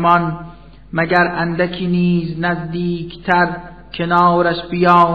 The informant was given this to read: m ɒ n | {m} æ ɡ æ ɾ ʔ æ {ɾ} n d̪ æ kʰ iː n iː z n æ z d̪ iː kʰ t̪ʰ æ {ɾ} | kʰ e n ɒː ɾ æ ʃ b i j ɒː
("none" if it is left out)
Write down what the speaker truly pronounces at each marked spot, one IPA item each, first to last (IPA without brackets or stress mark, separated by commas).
m, none, ɾ